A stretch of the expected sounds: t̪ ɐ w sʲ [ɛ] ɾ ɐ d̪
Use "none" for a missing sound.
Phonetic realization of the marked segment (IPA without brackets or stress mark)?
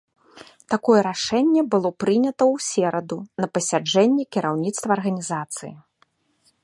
ɛ